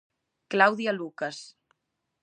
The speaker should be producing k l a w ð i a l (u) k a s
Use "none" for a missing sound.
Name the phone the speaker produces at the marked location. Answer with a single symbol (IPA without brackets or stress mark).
u